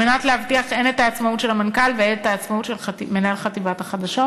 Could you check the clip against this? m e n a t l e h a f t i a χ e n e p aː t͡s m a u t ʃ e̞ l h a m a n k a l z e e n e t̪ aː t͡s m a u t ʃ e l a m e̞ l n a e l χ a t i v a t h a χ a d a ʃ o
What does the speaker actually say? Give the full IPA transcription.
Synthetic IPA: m e n a t l e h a v t i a χ e n e t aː t͡s m a u t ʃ e̞ l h a m a n k a l v e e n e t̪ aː t͡s m a u t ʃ e l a m e̞ n a e l χ a t i v a t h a χ a d a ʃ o

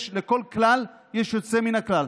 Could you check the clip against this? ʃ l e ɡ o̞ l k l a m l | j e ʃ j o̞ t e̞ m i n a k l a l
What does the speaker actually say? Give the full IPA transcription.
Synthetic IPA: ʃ l e k o̞ l k l a l | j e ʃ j o̞ t͡s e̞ m i n a k l a l

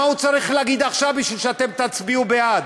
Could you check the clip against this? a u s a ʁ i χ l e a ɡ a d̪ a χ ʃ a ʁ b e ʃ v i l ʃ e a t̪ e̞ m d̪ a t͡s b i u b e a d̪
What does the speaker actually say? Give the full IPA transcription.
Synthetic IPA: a u t͡s a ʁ i χ l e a ɡ i d̪ a χ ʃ a v b i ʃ v i l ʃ e a t̪ e̞ m t̪ a t͡s b i u b e a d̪

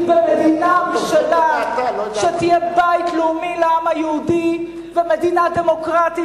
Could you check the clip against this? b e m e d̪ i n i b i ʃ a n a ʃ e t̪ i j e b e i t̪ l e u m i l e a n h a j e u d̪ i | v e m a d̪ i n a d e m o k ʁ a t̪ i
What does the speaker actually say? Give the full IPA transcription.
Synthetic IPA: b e m e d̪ i n a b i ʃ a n a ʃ e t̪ i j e b a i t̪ l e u m i l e a m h a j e u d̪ i | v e m e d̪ i n a d e m o k ʁ a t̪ i

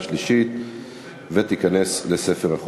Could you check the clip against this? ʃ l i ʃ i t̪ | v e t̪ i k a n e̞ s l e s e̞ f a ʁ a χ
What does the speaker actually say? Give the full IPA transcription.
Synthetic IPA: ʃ l i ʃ i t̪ | v e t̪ i k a n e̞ s l e s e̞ f e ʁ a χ

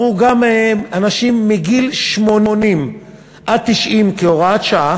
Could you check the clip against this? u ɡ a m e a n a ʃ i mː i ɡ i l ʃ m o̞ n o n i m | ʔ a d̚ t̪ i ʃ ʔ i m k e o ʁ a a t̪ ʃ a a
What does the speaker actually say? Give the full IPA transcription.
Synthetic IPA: u ɡ a m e a n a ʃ i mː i ɡ i l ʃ m o̞ n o n i m | ʔ a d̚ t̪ i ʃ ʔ i m k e o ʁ a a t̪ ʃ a a

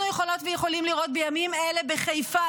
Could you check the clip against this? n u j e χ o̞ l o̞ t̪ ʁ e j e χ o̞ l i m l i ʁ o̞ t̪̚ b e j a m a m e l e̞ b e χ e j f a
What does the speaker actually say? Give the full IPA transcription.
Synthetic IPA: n u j e χ o̞ l o̞ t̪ v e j e χ o̞ l i m l i ʁ o̞ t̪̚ b e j a m i m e l e̞ b e χ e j f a

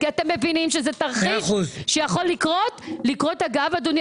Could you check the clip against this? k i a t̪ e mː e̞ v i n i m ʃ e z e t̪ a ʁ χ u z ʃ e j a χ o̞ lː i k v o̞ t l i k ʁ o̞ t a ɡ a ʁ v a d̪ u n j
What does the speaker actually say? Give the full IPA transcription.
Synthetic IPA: k i a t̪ e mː e̞ v i n i m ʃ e z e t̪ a ʁ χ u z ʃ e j a χ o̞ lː i k ʁ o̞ t l i k ʁ o̞ t a ɡ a v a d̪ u n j

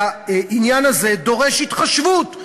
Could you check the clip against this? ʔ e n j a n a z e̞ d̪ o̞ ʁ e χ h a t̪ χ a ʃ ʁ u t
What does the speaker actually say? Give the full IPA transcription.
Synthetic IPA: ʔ i n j a n a z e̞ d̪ o̞ ʁ e ʃ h i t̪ χ a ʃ v u t

